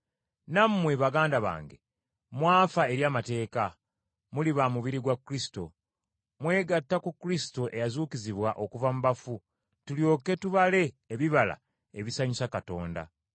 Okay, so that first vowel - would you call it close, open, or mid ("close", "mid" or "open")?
open